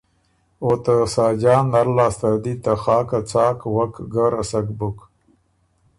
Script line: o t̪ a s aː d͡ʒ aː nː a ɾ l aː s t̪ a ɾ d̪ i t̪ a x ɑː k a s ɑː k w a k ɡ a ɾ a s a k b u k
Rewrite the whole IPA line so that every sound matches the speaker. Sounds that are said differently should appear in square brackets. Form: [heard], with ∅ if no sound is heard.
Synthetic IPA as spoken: o t̪ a s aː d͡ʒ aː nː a ɾ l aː s t̪ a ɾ d̪ i t̪ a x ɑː k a [t͡s] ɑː k w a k ɡ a ɾ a s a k b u k